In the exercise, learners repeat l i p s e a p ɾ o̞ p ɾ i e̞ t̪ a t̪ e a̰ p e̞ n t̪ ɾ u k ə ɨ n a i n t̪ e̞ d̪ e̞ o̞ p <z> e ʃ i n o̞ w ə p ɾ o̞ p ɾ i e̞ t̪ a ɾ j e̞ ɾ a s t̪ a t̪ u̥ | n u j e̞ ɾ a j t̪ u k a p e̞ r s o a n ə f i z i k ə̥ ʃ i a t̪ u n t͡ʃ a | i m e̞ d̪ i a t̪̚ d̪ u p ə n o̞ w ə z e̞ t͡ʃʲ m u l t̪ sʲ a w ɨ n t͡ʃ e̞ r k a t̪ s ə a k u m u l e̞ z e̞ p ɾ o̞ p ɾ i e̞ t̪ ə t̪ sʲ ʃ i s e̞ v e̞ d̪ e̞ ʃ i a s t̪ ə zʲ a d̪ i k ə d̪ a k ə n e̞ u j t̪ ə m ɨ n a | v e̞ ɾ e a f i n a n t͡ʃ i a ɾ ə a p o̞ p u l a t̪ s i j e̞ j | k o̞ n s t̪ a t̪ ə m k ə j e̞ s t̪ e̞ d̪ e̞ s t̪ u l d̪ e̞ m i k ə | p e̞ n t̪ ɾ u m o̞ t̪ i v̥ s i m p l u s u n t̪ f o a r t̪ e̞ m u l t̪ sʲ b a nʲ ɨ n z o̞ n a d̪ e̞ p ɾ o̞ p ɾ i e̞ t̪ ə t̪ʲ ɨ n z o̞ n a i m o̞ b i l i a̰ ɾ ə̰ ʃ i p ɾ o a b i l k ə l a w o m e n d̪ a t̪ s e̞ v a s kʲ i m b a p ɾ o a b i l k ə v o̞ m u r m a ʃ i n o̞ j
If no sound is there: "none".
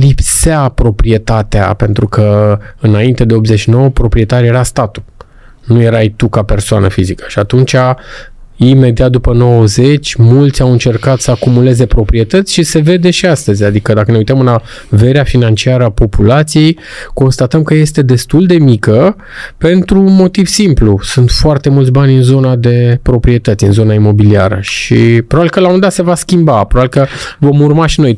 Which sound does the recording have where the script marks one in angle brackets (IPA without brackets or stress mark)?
z